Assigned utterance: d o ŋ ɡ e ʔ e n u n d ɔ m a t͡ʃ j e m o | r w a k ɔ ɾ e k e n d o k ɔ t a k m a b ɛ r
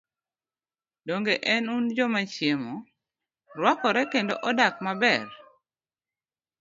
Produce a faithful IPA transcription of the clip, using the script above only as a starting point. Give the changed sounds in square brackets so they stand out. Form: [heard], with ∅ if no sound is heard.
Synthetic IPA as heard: d o ŋ ɡ e ʔ [ɛ] n u n [d͡ʒ] ɔ m a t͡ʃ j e m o | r w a k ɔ ɾ [ɛ] k e n d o [ʔ] ɔ [d] a k m a b ɛ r

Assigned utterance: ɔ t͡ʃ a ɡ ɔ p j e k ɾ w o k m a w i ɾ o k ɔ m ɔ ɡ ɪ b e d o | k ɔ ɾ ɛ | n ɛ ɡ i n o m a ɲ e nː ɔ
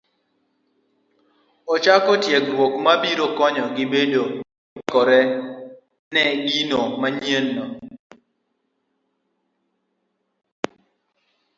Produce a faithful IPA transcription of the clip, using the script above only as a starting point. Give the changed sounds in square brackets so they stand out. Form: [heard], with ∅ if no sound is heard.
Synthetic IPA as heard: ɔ t͡ʃ a [k] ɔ [t] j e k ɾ w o k m a [b] i ɾ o k ɔ [ɲ] ɔ ɡ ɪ b e d o | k ɔ ɾ ɛ | n ɛ ɡ i n o m a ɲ e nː ɔ

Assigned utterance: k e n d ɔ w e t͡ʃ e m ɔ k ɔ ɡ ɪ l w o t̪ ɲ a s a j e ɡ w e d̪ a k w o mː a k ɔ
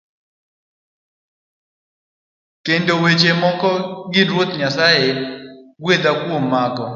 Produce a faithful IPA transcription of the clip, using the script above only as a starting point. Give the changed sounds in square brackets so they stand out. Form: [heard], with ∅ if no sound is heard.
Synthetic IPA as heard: k e n d [o] w e t͡ʃ e m ɔ k ɔ ɡ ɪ [ɾ] w o t̪ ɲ a s a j e ɡ w e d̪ a k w o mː a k ɔ

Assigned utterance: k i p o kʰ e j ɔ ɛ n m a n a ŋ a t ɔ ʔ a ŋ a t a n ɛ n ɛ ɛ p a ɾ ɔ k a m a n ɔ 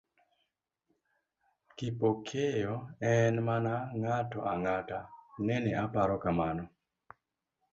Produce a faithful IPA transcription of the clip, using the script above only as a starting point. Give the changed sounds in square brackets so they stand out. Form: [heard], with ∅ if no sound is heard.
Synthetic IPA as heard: k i p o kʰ e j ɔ ɛ n m a n a ŋ a t ɔ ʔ a ŋ a t a n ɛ n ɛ [a] p a ɾ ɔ k a m a n ɔ

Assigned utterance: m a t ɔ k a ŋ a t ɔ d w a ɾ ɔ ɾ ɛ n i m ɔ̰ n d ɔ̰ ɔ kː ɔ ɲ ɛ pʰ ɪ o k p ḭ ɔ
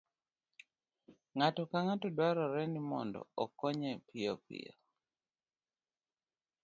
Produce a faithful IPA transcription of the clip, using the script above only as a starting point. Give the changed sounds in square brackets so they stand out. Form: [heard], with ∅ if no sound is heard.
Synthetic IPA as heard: [ŋ] a t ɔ k a ŋ a t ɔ d w a ɾ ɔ ɾ ɛ n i m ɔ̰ n d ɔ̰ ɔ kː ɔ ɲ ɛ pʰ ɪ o [∅] p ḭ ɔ

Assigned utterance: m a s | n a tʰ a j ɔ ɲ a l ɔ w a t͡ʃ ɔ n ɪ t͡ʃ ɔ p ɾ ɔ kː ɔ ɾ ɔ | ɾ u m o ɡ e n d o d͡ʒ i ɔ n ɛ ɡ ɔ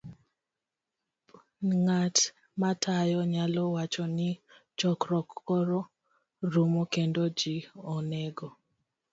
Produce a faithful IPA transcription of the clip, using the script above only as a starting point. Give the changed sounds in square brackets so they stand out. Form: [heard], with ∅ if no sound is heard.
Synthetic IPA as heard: [ŋ] a [t] | [m] a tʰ a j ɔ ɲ a l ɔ w a t͡ʃ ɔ n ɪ t͡ʃ ɔ [k] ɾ ɔ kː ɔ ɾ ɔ | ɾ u m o [k] e n d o d͡ʒ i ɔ n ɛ ɡ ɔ

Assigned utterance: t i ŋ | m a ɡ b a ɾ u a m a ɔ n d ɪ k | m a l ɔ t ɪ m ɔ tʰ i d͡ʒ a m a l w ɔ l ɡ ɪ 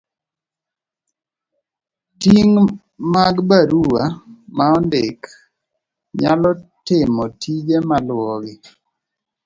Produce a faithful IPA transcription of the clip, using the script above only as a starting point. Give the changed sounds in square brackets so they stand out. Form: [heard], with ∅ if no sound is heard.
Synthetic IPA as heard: t i ŋ | m a ɡ b a ɾ u a m a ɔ n d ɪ k | [ɲ] a l ɔ t ɪ m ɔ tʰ i d͡ʒ [e] m a l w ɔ [∅] ɡ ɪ

